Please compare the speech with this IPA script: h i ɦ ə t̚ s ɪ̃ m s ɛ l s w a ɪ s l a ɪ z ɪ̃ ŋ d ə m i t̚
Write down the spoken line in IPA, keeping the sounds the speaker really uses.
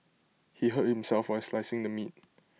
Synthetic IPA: h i ɦ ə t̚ h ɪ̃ m s ɛ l f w a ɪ s l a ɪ s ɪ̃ ŋ d ə m i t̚